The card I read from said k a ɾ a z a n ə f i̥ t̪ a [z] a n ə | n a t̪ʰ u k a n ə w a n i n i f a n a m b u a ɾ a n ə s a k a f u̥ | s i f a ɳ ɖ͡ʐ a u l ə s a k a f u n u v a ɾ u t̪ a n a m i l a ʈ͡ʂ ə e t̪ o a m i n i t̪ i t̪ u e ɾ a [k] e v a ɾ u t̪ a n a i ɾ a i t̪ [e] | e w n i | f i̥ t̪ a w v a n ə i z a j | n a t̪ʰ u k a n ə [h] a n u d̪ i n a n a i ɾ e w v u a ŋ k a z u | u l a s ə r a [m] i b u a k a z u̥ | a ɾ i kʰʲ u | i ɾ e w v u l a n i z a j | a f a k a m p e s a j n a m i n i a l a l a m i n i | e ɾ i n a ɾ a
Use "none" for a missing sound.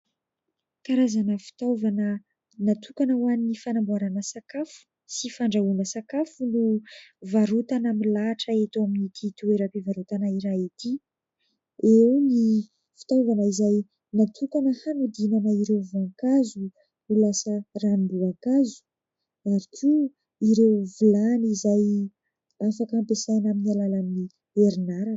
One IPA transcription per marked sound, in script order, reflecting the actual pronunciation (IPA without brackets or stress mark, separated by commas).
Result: v, p, i, h, n